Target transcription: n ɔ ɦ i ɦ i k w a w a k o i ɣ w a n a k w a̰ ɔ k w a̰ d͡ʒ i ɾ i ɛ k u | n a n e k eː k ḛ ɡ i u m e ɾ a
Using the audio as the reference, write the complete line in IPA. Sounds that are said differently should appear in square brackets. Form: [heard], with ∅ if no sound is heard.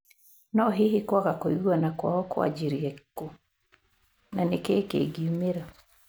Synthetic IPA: n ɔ ɦ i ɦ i k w a [ɣ] a k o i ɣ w a n a k w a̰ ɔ k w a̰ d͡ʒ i ɾ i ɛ k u | n a n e k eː k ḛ ɡ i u m e ɾ a